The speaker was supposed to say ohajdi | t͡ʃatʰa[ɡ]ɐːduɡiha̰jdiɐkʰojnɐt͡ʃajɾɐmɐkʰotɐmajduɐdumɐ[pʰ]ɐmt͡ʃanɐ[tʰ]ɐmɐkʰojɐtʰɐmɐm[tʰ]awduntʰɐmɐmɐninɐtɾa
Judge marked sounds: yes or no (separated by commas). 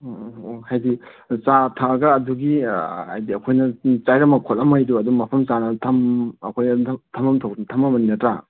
yes, yes, yes, yes